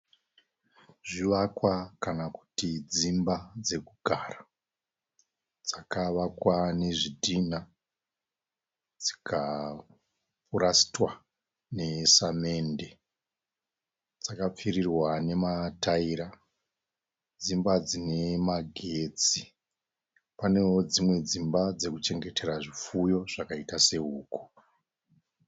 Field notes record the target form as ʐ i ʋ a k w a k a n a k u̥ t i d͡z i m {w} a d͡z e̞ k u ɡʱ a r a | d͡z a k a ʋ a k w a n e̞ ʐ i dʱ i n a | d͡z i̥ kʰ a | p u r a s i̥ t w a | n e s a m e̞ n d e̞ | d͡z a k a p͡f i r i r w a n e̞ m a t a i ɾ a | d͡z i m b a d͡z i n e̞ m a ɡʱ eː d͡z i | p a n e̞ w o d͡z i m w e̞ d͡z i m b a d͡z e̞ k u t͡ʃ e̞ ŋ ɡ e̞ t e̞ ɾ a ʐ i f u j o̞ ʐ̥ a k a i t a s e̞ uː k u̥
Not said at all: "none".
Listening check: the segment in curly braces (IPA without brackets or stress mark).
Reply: b